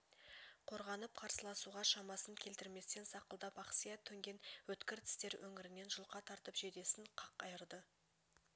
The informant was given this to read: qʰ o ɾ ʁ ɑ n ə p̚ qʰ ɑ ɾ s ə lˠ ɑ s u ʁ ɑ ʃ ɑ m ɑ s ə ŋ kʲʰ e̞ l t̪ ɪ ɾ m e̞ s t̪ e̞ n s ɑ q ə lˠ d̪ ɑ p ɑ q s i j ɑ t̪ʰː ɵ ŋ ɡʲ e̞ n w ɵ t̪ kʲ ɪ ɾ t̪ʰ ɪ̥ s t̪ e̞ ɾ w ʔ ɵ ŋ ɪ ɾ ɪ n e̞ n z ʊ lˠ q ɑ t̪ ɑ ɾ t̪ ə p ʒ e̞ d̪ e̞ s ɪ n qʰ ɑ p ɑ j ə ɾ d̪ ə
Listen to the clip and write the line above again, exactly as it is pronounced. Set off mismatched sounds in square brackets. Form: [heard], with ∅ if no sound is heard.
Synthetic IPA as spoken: qʰ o ɾ ʁ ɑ n ə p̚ qʰ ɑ ɾ s ə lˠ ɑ s u ʁ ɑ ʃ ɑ m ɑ s ə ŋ kʲʰ e̞ l t̪ ɪ ɾ m e̞ s t̪ e̞ n s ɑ q ə lˠ d̪ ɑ p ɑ q s i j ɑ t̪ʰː ɵ ŋ ɡʲ e̞ n w ɵ t̪ kʲ ɪ ɾ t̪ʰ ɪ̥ s t̪ e̞ ɾ w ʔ ɵ ŋ ɪ ɾ ɪ n e̞ n [ʒ] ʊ lˠ q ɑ [t̪ʰ] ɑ ɾ t̪ ə p ʒ e̞ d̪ e̞ s ɪ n qʰ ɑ [q] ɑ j ə ɾ d̪ ə